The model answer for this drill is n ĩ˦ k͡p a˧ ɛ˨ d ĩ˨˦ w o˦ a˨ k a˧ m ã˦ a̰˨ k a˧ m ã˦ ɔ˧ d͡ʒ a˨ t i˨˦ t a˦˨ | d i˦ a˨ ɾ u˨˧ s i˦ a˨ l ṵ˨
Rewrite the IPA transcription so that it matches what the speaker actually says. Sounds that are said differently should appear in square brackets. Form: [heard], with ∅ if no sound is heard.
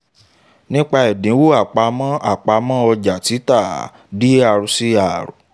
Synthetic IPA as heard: n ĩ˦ k͡p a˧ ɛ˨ d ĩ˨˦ w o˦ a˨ [k͡p] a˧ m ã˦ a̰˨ [k͡p] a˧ m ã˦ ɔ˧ d͡ʒ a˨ t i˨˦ t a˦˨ | d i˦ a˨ ɾ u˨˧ s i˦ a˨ [ɾ] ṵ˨

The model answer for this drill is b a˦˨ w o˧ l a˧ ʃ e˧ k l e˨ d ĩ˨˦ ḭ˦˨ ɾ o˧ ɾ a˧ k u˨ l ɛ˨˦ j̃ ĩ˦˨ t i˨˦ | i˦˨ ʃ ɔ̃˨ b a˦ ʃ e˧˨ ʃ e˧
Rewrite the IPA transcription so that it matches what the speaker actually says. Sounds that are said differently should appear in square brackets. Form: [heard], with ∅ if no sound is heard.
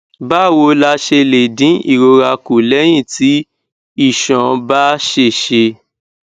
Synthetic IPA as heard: b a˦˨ w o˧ l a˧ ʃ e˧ [∅] l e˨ d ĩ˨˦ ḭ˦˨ ɾ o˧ ɾ a˧ k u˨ l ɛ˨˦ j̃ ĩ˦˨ t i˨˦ | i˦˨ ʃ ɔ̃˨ b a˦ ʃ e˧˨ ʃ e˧

